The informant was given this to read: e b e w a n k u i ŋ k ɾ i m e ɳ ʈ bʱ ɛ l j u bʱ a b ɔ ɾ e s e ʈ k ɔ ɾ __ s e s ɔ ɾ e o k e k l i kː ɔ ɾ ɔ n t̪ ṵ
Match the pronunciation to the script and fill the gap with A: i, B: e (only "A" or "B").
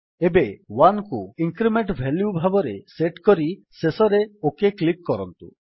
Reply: A